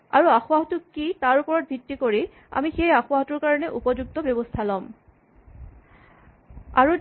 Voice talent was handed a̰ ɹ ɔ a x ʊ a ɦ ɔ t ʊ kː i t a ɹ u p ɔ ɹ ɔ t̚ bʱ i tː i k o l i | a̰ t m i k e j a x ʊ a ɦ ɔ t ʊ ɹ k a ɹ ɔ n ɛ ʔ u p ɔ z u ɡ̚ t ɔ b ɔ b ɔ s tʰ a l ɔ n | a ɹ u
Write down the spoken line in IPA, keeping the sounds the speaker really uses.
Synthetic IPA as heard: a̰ ɹ u a x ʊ a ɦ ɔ t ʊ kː i t a ɹ u p ɔ ɹ ɔ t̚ bʱ i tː i k o ɹ i | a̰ m i x e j a x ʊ a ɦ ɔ t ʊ ɹ k a ɹ ɔ n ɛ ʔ u p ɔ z u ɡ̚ t ɔ b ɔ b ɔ s tʰ a l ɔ m | a ɹ u